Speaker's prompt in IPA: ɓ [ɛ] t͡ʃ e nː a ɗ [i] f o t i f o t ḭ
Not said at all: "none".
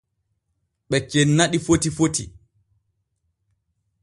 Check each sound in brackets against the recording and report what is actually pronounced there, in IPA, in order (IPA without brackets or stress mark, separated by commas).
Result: ɛ, i